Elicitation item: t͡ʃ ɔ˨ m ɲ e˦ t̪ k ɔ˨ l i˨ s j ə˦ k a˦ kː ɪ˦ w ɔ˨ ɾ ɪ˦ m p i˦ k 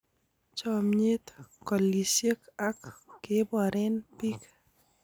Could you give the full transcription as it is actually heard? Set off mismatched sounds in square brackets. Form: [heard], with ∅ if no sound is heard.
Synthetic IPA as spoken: t͡ʃ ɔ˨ m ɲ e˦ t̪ k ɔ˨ l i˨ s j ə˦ k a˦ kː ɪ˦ [b] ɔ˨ ɾ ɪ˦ [n] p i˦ k